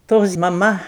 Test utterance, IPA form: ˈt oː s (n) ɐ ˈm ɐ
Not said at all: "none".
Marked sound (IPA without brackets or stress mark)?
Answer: m